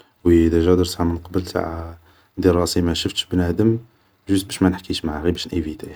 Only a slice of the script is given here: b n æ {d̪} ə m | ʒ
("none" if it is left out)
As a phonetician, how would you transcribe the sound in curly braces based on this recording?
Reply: d̪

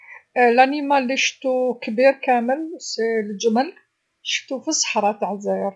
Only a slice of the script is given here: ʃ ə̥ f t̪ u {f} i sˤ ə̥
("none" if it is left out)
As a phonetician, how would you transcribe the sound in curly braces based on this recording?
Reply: f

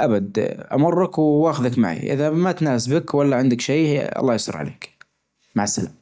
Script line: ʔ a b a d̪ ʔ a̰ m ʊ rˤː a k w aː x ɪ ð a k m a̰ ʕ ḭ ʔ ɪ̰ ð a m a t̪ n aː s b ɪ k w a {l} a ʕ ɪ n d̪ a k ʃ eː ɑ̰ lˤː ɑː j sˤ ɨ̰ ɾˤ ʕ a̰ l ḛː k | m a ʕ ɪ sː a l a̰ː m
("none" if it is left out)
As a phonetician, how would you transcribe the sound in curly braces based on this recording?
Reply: lː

